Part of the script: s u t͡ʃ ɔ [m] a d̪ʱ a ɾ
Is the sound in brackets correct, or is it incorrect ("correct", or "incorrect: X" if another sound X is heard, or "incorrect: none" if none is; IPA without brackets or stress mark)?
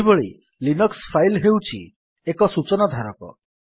incorrect: n